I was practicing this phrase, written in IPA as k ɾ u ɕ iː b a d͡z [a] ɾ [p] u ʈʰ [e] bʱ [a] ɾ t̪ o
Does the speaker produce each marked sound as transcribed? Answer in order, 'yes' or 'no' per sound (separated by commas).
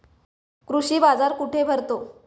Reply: yes, no, yes, no